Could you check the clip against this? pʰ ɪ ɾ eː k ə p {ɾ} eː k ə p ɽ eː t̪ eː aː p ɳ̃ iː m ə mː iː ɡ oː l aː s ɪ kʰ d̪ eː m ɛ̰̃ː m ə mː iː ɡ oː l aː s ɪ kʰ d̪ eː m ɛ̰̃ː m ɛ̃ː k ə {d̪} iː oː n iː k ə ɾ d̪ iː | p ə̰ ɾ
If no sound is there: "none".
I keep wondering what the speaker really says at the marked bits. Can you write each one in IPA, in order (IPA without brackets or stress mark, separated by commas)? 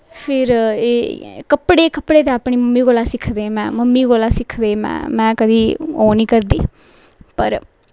ɽ, d̪